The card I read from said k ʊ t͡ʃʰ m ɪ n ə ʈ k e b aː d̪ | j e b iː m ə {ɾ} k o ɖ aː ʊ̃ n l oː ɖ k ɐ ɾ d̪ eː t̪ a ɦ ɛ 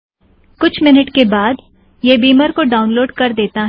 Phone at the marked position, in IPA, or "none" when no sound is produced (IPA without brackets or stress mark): ɾ